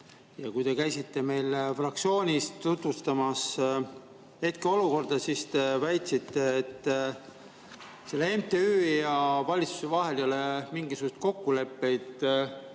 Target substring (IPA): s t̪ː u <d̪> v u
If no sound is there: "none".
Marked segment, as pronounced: t̪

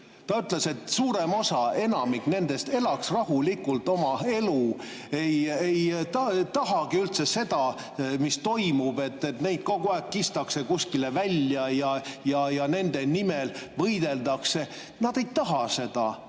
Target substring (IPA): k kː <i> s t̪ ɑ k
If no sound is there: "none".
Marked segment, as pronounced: i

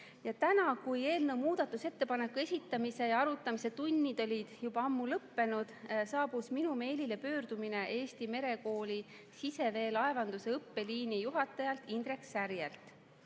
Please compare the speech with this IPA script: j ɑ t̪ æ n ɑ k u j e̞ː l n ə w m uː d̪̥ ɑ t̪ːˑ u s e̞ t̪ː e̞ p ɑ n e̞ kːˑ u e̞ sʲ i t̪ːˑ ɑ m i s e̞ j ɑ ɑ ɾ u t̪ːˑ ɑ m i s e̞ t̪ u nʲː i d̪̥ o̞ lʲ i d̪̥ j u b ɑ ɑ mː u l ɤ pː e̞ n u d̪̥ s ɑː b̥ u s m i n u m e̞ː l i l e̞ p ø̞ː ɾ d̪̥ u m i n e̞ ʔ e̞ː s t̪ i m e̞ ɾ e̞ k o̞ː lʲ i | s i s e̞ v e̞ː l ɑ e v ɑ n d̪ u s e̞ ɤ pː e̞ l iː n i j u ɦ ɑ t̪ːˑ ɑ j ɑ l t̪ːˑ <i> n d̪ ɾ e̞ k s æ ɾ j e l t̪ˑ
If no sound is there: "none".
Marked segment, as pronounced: i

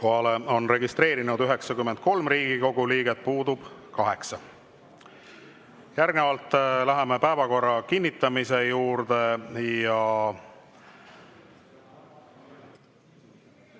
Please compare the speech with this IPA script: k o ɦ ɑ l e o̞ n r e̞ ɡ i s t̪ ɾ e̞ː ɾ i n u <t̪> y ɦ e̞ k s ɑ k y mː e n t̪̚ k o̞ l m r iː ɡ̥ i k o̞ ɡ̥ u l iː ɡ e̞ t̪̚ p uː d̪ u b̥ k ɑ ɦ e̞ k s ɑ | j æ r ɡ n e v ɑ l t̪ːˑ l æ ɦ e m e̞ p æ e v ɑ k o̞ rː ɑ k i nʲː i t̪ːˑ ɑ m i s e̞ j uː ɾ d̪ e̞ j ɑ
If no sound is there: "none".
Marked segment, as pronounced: d̪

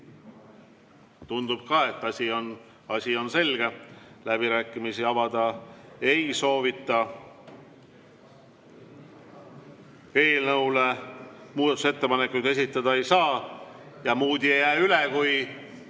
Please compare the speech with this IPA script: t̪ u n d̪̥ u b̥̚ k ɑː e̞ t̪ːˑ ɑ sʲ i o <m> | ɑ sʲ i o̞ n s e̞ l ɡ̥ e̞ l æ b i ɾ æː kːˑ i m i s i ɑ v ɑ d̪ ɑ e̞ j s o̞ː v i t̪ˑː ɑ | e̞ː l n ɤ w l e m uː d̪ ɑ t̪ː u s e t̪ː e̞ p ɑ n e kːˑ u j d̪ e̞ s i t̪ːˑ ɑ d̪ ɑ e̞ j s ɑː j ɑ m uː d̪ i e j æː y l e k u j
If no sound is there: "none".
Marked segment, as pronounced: n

